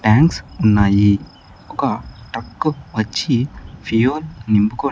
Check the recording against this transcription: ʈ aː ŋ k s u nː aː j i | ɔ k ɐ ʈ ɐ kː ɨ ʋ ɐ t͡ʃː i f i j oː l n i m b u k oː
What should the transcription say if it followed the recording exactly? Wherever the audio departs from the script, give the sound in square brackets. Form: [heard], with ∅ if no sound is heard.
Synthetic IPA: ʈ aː ŋ k s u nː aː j i | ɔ k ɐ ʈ ɐ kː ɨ ʋ ɐ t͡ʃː i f i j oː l n i m b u k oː